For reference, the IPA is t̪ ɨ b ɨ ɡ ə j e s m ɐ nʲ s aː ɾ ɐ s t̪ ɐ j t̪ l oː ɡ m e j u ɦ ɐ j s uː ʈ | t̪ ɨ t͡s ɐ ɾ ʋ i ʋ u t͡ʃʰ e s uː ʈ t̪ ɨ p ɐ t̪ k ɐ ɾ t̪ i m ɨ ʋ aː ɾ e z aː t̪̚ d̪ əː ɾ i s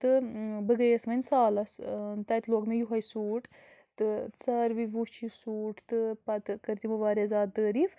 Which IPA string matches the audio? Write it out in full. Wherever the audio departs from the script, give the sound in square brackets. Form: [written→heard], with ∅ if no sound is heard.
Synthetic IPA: t̪ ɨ b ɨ ɡ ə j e s m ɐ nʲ s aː [ɾ→l] ɐ s t̪ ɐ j t̪ l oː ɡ m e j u ɦ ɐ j s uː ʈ | t̪ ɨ t͡s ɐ ɾ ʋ i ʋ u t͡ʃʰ [e→i] s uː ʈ t̪ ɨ p ɐ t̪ k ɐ ɾ t̪ i m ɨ ʋ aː ɾ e z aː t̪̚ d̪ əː ɾ i [s→f]